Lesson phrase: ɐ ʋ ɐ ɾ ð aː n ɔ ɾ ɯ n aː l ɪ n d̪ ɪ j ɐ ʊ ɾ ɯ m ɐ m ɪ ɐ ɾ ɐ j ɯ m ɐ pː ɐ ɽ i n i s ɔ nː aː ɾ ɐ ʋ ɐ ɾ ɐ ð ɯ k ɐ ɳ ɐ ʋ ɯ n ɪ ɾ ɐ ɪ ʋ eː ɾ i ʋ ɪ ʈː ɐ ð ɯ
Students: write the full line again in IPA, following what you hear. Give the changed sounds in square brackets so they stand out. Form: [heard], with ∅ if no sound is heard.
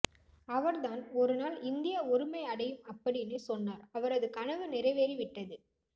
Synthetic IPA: ɐ ʋ ɐ ɾ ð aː n ɔ ɾ ɯ n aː l ɪ n d̪ ɪ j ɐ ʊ ɾ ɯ m ɐ [∅] ɪ ɐ [ɽ] ɐ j ɯ m ɐ pː ɐ ɽ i n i s ɔ nː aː ɾ ɐ ʋ ɐ ɾ ɐ ð ɯ k ɐ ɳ ɐ ʋ ɯ n ɪ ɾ ɐ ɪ ʋ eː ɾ i ʋ ɪ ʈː ɐ ð ɯ